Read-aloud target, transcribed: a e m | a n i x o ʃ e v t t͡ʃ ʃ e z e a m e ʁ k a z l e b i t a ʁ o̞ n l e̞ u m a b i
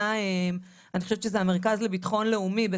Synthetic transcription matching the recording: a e m | a n i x o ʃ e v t t͡ʃ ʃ e z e a m e ʁ k a z l e b i t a χ o̞ n l e̞ u m i b e